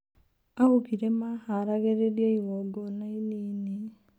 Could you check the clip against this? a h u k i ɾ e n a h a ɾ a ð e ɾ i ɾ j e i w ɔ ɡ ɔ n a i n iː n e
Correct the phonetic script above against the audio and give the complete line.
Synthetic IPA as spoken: a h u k i ɾ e m a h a ɾ a ɣ e ɾ e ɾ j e i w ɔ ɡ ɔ n a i n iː n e